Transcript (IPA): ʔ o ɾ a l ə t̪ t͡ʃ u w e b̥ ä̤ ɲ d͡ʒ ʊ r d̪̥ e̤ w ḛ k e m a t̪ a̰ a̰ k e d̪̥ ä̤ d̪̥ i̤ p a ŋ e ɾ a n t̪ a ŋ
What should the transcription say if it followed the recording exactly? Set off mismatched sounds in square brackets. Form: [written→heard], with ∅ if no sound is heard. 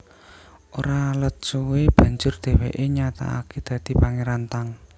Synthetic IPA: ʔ o ɾ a l ə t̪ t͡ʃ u w e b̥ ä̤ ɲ d͡ʒ ʊ r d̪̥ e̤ w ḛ [k→ʔ] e [m→ɲ] a t̪ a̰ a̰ k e d̪̥ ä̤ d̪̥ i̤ p a ŋ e ɾ a n t̪ a ŋ